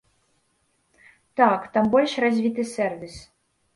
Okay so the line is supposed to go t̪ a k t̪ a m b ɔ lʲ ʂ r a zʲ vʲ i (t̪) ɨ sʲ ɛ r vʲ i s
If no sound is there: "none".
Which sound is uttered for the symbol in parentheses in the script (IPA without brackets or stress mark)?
t̪